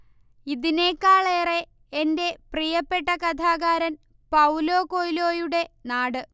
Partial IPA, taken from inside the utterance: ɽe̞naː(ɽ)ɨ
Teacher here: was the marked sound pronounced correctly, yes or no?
yes